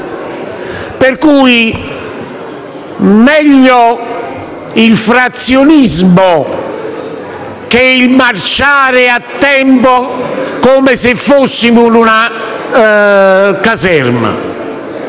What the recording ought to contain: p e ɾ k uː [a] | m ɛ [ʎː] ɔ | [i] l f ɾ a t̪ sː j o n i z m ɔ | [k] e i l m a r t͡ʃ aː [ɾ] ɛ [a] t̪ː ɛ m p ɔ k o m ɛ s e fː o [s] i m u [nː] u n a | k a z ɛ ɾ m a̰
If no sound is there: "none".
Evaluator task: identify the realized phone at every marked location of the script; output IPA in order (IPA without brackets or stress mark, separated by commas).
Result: i, ʎː, i, k, ɾ, a, sː, n